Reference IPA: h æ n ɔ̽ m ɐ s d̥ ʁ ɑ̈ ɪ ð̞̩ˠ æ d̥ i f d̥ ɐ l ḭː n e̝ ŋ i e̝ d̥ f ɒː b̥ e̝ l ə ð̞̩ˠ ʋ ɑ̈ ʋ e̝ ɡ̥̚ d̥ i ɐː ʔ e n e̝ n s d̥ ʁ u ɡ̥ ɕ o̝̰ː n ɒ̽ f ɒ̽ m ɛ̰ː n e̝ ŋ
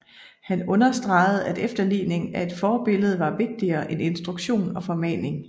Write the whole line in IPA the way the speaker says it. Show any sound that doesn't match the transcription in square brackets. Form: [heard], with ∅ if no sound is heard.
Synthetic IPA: h æ n ɔ̽ [n] ɐ s d̥ ʁ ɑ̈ ɪ ð̞̩ˠ æ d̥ [e] f d̥ ɐ l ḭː n e̝ ŋ [æ] e̝ d̥ f ɒː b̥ e̝ l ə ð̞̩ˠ ʋ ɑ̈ ʋ e̝ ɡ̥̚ d̥ i ɐː ʔ e n e̝ n s d̥ ʁ u ɡ̥ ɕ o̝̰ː n ɒ̽ f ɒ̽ m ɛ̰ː n e̝ ŋ